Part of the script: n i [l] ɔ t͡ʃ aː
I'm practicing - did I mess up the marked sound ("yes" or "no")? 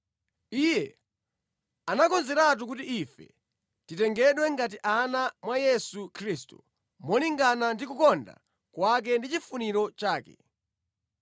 yes